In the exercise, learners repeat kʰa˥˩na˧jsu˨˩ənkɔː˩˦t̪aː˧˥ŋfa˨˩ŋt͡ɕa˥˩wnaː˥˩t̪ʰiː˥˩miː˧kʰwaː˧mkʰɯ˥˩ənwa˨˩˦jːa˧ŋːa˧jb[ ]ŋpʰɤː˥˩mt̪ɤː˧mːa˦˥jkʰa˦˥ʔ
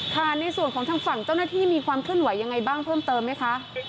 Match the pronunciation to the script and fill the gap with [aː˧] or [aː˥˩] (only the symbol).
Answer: aː˥˩